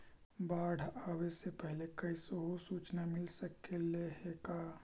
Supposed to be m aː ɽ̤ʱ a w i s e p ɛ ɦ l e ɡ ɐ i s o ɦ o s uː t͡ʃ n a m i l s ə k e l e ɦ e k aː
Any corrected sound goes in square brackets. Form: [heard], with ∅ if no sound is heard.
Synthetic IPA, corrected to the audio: [b] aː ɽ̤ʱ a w [e] s e p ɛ ɦ l e [k] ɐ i s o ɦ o s uː t͡ʃ n a m [ɪ] l s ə k e l e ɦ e k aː

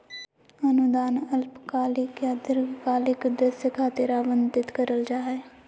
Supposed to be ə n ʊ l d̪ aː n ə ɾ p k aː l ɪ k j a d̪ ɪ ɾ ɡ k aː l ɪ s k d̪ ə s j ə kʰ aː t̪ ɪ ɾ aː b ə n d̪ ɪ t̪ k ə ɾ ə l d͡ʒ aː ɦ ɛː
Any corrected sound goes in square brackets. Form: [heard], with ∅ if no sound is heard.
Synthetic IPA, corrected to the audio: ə n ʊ [∅] d̪ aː n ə [l] p k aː l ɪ k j a d̪ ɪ ɾ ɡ k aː l ɪ [∅] k d̪ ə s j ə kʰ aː t̪ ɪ ɾ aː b ə n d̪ ɪ t̪ k ə ɾ ə l d͡ʒ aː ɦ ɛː

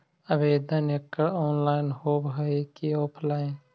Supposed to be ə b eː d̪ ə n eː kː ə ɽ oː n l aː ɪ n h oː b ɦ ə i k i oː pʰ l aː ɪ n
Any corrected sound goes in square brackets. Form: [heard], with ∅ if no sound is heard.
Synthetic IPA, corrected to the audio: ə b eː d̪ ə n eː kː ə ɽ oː n l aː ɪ n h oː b ɦ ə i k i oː pʰ l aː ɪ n

